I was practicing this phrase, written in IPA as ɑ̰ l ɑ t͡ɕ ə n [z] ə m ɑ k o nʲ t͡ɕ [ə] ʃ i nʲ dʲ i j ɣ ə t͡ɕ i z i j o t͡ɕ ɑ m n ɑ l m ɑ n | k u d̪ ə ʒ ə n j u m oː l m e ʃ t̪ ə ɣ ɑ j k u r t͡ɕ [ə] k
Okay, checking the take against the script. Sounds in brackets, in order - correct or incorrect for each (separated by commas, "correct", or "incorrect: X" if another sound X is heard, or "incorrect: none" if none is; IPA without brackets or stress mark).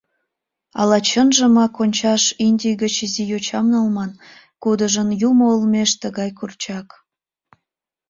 incorrect: ʒ, incorrect: ɑ, incorrect: ɑ